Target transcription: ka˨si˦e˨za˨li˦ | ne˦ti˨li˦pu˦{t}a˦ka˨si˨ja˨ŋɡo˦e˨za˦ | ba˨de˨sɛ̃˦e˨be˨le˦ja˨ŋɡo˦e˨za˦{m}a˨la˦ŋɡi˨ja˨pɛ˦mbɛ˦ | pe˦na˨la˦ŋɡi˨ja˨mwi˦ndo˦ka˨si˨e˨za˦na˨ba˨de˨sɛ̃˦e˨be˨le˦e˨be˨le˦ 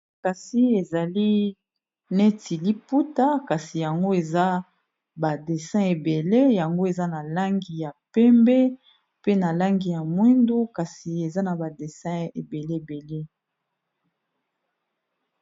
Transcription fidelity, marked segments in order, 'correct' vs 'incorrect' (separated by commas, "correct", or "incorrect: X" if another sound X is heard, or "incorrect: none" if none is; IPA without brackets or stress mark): correct, incorrect: n